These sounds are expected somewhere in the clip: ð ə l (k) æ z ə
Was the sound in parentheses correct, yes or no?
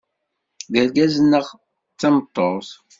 no